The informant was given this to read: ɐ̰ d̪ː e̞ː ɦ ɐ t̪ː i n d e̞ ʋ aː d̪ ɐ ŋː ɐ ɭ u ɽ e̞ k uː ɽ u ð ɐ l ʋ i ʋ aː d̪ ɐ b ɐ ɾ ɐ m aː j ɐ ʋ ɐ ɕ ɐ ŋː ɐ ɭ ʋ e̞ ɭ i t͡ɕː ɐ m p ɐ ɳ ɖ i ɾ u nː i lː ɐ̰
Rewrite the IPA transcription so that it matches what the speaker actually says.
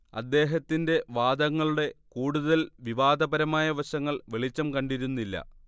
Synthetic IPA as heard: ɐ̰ d̪ː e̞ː ɦ ɐ t̪ː i n d e̞ ʋ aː d̪ ɐ ŋː ɐ ɭ u ɽ e̞ k uː ɽ u ð ɐ l ʋ i ʋ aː d̪ ɐ b ɐ ɾ ɐ m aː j ɐ ʋ ɐ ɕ ɐ ŋː ɐ ɭ ʋ e̞ ɭ i t͡ɕː ɐ m k ɐ ɳ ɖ i ɾ u nː i lː ɐ̰

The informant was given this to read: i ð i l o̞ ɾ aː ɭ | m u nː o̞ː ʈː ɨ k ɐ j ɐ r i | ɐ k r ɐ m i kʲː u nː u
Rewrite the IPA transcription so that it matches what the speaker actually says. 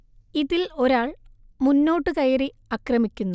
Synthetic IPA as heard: i ð i l o̞ ɾ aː ɭ | m u nː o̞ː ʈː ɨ k ɐ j ɐ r i | ɐ k r ɐ m i kʲː u nː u

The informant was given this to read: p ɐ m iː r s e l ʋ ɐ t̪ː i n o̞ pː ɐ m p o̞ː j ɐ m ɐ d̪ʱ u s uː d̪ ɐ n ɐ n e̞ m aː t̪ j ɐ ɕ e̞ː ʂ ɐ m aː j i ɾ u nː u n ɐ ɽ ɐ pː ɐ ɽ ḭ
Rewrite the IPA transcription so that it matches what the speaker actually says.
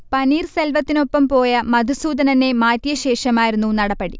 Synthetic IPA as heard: p ɐ n iː r s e l ʋ ɐ t̪ː i n o̞ pː ɐ m p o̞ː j ɐ m ɐ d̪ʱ u s uː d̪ ɐ n ɐ n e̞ m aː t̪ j ɐ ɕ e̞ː ʂ ɐ m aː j i ɾ u nː u n ɐ ɽ ɐ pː ɐ ɽ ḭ

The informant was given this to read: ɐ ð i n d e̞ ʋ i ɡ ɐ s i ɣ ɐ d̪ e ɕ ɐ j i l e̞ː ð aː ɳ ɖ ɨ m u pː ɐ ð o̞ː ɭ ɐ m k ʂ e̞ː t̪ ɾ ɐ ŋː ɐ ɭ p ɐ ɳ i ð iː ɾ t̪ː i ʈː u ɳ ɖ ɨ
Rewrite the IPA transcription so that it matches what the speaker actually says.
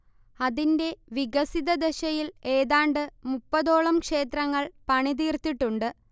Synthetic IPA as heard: ɐ ð i n d e̞ ʋ i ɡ ɐ s i ð ɐ d̪ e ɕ ɐ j i l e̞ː ð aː ɳ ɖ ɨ m u pː ɐ ð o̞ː ɭ ɐ m k ʂ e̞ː t̪ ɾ ɐ ŋː ɐ ɭ p ɐ ɳ i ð iː r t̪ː i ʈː u ɳ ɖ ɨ

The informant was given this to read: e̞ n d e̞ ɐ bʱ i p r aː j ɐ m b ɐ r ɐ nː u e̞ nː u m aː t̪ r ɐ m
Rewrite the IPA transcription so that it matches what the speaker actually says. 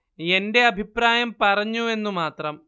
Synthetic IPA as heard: e̞ n d e̞ ɐ bʱ i p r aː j ɐ m p ɐ r ɐ ɲː u e̞ nː u m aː t̪ r ɐ m

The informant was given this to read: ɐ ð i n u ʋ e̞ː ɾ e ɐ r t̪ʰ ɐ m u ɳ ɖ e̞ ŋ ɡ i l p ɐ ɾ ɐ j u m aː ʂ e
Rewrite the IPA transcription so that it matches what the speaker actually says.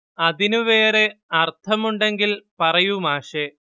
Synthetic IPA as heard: ɐ ð i n u ʋ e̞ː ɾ e ɐ r t̪ʰ ɐ m u ɳ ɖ e̞ ŋ ɡ i l p ɐ r ɐ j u m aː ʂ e

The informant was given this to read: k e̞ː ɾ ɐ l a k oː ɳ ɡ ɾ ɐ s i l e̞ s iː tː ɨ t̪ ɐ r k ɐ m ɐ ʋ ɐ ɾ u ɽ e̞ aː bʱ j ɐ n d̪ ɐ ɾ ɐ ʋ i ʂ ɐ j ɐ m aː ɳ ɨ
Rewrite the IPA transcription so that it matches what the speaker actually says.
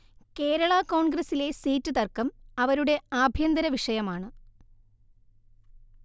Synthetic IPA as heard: k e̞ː ɾ ɐ ɭ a k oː ɳ ɡ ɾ ɐ s i l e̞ s iː tː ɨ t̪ ɐ r k ɐ m ɐ ʋ ɐ ɾ u ɽ e̞ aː bʱ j ɐ n d̪ ɐ ɾ ɐ ʋ i ʂ ɐ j ɐ m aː ɳ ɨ

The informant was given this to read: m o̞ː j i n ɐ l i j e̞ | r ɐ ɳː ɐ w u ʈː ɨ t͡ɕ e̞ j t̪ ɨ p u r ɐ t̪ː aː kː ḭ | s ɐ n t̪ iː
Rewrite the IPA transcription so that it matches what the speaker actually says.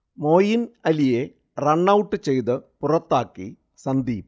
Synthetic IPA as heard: m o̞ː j i n ɐ l i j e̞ | r ɐ ɳː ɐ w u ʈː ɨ t͡ɕ e̞ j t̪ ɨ p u r ɐ t̪ː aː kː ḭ | s ɐ n d̪ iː

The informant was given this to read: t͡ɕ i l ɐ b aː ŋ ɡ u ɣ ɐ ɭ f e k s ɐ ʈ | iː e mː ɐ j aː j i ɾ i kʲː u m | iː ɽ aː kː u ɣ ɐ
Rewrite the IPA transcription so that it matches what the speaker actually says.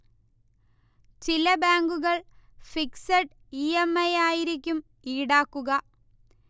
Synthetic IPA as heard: t͡ɕ i l ɐ b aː ŋ ɡ u ɣ ɐ ɭ f i k s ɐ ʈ | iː e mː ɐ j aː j i ɾ i kʲː u m | iː ɽ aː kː u ɣ ɐ

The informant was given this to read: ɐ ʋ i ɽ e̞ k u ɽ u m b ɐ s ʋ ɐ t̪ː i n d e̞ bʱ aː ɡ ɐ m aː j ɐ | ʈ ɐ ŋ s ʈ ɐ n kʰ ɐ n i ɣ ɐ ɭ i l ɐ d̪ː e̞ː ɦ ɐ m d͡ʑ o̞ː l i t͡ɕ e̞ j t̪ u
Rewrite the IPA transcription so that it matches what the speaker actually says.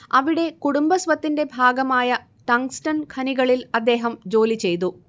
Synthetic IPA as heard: ɐ ʋ i ɽ e̞ k u ɽ u m b ɐ s ʋ ɐ t̪ː i n d e̞ bʱ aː ɡ ɐ m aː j ɐ | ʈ ɐ ŋ s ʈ ɐ n kʰ ɐ n i ɣ ɐ ɭ i l ɐ d̪ː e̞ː ɦ ɐ m d͡ʑ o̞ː l i t͡ɕ e̞ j t̪ u

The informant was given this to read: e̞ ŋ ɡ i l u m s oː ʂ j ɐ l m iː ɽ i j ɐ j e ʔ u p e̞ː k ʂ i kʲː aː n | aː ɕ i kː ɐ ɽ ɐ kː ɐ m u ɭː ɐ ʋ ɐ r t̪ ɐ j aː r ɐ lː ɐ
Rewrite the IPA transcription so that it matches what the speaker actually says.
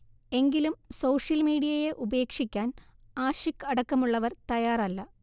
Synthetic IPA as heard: e̞ ŋ ɡ i l u m s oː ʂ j ɐ l m iː ɽ i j ɐ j e ʔ u b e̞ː k ʂ i kʲː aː n | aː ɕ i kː ɐ ɽ ɐ kː ɐ m u ɭː ɐ ʋ ɐ r t̪ ɐ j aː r ɐ lː ɐ

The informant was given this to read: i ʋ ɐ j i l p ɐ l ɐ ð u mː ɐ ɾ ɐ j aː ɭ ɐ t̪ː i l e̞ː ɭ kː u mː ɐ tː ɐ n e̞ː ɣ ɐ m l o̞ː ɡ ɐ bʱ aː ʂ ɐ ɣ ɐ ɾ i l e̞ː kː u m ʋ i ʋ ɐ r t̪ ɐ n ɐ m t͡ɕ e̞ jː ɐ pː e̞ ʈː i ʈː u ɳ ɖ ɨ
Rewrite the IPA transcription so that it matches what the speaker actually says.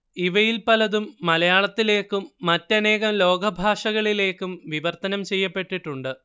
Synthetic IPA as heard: i ʋ ɐ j i l p ɐ l ɐ ð u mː ɐ l ɐ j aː ɭ ɐ t̪ː i l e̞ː kː u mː ɐ tː ɐ n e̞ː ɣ ɐ m l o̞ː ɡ ɐ bʱ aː ʂ ɐ ɣ ɐ ɭ i l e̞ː kː u m ʋ i ʋ ɐ r t̪ ɐ n ɐ m t͡ɕ e̞ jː ɐ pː e̞ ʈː i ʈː u ɳ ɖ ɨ

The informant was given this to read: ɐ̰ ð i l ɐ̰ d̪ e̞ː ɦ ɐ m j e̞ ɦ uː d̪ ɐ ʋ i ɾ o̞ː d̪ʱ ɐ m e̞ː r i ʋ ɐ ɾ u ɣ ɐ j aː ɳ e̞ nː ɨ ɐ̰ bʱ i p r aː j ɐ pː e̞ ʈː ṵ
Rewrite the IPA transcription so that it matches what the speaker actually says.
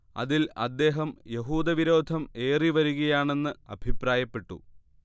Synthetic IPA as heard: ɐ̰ ð i l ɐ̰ d̪ː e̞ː ɦ ɐ m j e̞ ɦ uː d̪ ɐ ʋ i ɾ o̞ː d̪ʱ ɐ m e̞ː r i ʋ ɐ ɾ u ɣ ɐ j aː ɳ e̞ nː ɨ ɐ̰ bʱ i p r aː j ɐ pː e̞ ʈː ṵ

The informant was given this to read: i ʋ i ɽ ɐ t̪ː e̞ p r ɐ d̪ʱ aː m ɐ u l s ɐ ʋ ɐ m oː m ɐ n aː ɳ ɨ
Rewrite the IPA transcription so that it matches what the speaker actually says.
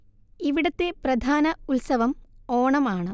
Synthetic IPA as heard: i ʋ i ɽ ɐ t̪ː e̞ p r ɐ d̪ʱ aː n ɐ u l s ɐ ʋ ɐ m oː ɳ ɐ m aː ɳ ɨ

